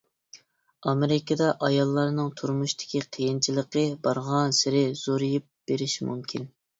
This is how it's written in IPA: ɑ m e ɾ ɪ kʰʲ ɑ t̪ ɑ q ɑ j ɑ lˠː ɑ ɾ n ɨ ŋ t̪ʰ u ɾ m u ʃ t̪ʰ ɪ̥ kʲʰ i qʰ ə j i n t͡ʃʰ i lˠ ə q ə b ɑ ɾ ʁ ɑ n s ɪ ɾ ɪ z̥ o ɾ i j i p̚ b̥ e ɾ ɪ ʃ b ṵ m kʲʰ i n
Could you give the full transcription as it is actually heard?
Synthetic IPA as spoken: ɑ m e ɾ ɪ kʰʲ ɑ d̪ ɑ ʔ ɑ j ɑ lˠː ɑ ɾ n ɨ ŋ t̪ʰ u ɾ m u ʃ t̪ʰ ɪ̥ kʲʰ i qʰ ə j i n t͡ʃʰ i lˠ ə q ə b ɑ ɾ ʁ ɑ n s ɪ ɾ ɪ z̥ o ɾ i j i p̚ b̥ e ɾ ɪ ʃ m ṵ m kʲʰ i n